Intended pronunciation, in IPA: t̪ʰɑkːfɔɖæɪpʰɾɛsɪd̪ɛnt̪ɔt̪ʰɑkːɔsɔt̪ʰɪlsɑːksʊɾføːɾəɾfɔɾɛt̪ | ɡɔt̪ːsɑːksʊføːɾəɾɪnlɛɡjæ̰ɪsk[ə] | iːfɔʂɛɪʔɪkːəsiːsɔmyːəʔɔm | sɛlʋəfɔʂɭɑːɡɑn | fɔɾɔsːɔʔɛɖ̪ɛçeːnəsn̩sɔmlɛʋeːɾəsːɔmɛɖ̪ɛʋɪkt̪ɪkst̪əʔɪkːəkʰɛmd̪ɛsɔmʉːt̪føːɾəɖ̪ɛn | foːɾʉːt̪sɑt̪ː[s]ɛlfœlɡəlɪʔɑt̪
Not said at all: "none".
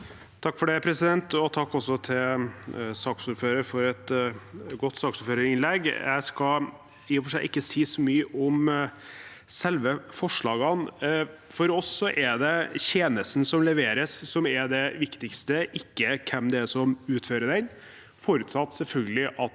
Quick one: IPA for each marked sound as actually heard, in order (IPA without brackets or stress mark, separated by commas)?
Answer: ɑ, s